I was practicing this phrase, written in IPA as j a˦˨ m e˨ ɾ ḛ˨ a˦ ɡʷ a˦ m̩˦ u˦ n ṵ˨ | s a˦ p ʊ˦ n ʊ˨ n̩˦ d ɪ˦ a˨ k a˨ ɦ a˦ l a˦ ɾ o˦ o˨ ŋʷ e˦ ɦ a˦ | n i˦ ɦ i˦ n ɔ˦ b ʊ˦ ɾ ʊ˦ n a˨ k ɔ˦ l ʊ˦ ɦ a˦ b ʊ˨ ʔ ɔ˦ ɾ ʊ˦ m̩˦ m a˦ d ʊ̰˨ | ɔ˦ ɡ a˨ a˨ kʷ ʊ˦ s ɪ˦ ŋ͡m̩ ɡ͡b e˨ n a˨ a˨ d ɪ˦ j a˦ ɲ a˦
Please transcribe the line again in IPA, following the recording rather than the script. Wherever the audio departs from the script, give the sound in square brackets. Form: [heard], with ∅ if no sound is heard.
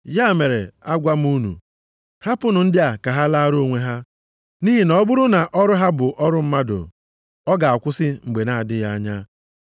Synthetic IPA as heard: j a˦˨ m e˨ ɾ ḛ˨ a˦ ɡʷ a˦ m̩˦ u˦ n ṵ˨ | [h] a˦ p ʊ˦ n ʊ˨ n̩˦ d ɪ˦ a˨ k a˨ ɦ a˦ l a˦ ɾ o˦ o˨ ŋʷ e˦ ɦ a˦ | n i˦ ɦ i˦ n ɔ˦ b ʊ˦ ɾ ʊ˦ n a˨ [ʔ] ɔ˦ [ɾ] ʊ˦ ɦ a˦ b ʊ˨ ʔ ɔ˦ ɾ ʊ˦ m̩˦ m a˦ d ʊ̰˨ | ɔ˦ ɡ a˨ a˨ kʷ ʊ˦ s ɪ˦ ŋ͡m̩ ɡ͡b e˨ n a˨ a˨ d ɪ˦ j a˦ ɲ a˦